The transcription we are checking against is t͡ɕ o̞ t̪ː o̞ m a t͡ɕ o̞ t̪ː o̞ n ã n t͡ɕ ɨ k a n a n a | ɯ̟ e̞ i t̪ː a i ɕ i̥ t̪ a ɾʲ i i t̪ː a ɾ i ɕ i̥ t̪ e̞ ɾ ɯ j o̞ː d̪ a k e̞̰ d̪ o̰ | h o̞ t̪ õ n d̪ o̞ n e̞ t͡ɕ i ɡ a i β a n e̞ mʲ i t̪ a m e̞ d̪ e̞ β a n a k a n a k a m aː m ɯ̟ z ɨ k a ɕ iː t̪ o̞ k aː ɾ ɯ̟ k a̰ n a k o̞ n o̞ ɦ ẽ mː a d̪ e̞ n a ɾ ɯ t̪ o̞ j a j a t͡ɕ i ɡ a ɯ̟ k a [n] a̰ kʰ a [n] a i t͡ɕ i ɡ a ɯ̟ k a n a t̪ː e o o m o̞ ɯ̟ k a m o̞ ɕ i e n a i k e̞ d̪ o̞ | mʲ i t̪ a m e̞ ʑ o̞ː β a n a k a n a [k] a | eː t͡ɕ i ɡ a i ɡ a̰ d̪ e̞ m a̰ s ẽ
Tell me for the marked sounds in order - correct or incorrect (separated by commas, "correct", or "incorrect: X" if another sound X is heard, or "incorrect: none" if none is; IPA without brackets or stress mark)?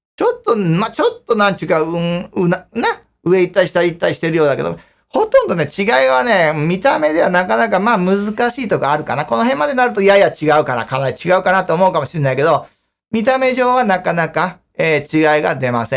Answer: correct, correct, correct